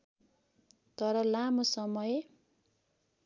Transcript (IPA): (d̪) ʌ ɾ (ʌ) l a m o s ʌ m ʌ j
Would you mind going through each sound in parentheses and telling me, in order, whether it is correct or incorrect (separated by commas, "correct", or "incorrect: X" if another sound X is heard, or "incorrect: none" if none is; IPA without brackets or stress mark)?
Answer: incorrect: t̪, correct